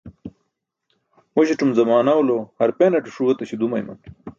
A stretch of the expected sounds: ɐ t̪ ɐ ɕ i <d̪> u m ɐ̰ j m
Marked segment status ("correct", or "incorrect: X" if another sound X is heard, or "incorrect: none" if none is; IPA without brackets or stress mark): correct